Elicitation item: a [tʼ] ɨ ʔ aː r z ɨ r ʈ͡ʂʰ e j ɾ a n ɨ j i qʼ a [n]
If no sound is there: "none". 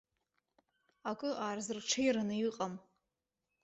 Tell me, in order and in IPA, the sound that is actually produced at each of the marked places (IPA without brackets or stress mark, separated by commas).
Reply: kʼ, m